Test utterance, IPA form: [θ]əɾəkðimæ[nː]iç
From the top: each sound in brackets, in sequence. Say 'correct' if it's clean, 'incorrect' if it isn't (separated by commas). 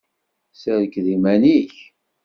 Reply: incorrect, incorrect